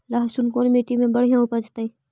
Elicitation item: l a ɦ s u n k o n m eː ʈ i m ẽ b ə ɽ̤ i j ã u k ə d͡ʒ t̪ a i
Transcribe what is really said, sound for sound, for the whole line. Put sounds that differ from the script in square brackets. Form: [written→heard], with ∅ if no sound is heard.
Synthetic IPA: l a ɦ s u n k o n m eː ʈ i m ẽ b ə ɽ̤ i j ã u [k→p] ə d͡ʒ t̪ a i